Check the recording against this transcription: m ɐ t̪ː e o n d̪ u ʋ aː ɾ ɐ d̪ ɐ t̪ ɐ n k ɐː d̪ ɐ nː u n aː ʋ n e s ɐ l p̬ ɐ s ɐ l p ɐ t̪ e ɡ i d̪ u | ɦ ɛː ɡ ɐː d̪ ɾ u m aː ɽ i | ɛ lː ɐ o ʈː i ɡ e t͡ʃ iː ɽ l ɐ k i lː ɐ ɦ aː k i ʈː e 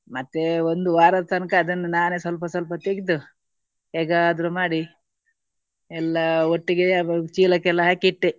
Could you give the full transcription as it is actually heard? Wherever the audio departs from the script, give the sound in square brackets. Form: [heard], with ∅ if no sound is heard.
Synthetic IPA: m ɐ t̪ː e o n d̪ u ʋ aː ɾ ɐ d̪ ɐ t̪ ɐ n k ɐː d̪ ɐ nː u n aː [∅] n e s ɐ l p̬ ɐ s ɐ l p ɐ t̪ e ɡ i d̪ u | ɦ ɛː ɡ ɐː d̪ ɾ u m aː ɽ i | ɛ lː ɐ o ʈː i ɡ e t͡ʃ iː [∅] l ɐ k [ɛ] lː ɐ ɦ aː k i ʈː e